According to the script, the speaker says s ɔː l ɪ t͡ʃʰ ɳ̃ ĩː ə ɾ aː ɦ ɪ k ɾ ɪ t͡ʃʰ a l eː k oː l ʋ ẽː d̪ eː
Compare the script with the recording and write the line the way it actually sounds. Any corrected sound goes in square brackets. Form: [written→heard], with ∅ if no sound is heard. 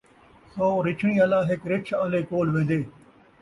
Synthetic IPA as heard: s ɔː [l→ɾ] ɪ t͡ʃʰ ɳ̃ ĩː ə [ɾ→l] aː ɦ ɪ k ɾ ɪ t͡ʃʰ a l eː k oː l ʋ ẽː d̪ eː